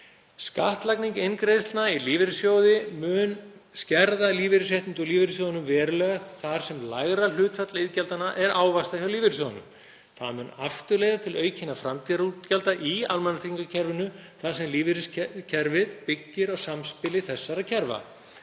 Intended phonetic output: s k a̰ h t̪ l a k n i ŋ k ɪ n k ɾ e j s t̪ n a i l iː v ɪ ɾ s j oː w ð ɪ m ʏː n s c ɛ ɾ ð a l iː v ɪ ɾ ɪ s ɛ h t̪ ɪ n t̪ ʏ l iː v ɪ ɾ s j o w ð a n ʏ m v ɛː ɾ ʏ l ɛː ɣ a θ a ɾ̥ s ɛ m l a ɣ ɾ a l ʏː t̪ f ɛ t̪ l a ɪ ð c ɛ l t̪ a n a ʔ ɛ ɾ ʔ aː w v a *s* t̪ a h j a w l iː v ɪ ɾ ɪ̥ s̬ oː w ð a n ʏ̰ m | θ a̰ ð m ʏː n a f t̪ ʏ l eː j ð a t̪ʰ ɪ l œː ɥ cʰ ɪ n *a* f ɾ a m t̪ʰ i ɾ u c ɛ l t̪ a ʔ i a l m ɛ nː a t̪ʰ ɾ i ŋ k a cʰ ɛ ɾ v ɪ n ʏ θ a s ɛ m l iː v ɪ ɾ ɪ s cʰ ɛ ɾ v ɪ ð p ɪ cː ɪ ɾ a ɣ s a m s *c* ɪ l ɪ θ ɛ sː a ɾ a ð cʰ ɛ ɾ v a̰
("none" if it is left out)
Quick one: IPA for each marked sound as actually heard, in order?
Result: s, a, p

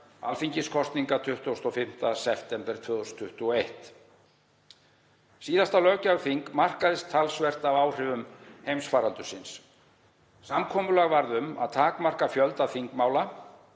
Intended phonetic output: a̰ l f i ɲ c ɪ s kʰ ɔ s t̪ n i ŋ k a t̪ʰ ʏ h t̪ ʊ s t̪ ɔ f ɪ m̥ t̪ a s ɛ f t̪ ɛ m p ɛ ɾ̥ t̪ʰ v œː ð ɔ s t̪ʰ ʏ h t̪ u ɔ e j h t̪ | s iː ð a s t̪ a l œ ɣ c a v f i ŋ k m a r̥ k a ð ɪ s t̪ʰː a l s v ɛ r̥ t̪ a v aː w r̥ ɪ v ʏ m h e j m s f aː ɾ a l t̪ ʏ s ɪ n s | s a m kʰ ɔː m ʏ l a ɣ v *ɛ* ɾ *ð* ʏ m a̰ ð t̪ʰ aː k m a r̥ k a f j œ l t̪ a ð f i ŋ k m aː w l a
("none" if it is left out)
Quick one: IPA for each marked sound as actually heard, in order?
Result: a, ð

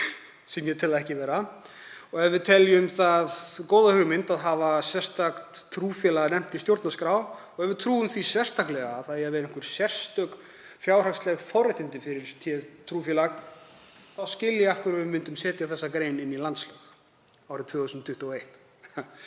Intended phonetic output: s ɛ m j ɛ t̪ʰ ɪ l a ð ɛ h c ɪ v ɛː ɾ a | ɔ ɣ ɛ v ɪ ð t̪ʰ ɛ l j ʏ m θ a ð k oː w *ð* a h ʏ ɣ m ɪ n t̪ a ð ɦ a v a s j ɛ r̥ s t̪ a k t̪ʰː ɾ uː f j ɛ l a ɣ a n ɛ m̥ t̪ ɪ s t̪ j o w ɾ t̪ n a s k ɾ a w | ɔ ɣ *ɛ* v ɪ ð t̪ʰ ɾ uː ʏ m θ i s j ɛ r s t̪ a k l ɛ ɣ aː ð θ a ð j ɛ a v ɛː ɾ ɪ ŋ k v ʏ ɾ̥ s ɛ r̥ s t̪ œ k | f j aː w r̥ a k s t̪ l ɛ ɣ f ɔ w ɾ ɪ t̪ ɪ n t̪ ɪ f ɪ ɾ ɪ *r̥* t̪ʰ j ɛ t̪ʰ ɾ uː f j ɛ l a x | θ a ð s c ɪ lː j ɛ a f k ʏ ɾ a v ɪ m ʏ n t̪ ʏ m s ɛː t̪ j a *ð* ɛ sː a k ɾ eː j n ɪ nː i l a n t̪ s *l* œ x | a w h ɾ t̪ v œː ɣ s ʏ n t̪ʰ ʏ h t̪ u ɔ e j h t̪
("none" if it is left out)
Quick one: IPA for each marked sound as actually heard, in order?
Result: ð, ɛ, ɾ̥, θ, l

